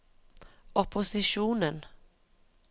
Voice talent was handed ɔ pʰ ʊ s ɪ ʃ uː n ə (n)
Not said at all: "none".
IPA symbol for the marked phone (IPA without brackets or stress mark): n